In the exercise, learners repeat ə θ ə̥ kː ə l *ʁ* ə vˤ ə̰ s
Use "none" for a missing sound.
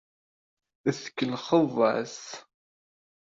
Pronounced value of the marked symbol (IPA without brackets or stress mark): χ